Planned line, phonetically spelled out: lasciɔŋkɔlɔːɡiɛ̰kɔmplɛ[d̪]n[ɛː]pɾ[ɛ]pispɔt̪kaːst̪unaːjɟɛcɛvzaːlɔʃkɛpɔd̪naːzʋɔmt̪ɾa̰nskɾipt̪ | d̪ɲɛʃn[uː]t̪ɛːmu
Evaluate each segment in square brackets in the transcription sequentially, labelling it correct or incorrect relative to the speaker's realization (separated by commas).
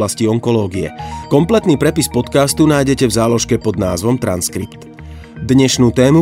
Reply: incorrect, incorrect, correct, correct